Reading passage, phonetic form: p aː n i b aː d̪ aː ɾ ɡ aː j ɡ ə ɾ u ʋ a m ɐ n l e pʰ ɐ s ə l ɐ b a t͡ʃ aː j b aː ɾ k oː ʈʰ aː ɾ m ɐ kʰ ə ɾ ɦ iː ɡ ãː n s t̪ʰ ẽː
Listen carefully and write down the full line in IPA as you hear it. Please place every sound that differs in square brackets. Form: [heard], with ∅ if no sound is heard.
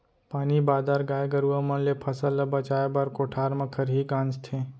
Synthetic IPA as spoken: p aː n i b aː d̪ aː ɾ ɡ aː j ɡ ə ɾ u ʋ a m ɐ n l e pʰ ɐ s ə l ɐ b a t͡ʃ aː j b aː ɾ k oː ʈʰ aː ɾ m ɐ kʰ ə ɾ ɦ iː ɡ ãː n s t̪ʰ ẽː